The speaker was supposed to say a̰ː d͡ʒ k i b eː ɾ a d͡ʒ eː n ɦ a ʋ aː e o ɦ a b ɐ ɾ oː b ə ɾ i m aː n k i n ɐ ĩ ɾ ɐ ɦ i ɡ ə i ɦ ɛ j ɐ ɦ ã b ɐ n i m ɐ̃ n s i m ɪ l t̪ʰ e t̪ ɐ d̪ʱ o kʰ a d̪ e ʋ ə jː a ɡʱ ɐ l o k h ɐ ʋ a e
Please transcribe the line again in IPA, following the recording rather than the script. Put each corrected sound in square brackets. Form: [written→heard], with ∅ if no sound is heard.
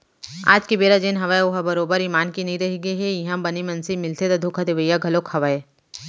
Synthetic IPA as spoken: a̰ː d͡ʒ k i b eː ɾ a d͡ʒ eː n ɦ [a→ɐ] ʋ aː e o ɦ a b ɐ ɾ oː b ə ɾ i m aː n k i n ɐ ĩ ɾ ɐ ɦ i ɡ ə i ɦ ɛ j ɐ ɦ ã b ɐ n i m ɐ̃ n s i m ɪ l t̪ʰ e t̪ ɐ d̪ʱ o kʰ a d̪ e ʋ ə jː a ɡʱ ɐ l o k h ɐ ʋ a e